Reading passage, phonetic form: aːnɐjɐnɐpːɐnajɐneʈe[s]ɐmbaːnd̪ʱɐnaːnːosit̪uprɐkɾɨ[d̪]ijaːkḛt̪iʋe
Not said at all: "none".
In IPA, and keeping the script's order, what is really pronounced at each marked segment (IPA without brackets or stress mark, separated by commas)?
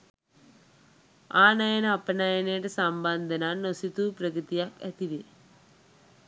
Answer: s, t̪